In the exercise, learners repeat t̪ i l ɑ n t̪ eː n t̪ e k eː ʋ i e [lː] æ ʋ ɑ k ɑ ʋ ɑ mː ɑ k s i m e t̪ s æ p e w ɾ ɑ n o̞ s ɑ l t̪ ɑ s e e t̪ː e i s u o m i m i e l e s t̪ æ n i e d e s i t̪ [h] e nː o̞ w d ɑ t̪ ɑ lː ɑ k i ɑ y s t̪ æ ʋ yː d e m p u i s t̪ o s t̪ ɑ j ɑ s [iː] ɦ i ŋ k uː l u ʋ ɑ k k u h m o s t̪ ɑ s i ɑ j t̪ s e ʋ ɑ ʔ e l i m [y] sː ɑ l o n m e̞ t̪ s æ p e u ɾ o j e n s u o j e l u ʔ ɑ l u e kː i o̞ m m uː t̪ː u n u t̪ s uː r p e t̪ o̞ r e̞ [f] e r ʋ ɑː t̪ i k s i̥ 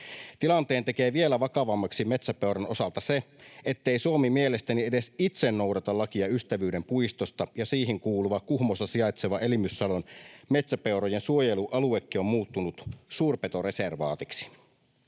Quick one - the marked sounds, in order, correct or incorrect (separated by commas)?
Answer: incorrect, incorrect, correct, correct, incorrect